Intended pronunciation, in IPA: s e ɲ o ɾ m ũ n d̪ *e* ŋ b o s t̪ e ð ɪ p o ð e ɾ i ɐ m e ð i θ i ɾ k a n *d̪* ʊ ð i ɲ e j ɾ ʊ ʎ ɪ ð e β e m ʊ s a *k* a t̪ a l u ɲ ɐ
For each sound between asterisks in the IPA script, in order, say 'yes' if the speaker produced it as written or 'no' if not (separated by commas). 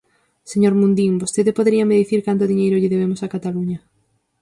no, no, yes